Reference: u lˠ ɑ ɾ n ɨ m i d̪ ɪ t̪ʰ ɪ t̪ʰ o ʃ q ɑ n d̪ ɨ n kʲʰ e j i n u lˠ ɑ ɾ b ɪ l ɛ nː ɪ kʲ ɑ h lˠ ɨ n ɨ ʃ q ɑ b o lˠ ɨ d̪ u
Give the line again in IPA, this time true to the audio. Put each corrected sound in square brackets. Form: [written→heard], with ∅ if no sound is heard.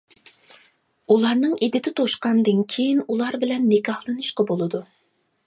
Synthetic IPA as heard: u lˠ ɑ ɾ n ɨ [m→ŋ] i d̪ ɪ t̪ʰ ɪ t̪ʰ o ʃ q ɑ n d̪ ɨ n kʲʰ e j i n u lˠ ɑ ɾ b ɪ l ɛ nː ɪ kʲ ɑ h lˠ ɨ n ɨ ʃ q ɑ b o lˠ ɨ d̪ u